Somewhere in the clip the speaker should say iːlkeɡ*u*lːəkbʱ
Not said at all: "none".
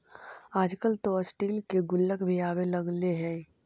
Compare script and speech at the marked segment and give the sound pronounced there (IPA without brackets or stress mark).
ʊ